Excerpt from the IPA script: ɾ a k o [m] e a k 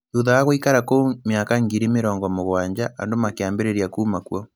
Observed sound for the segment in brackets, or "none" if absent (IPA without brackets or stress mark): m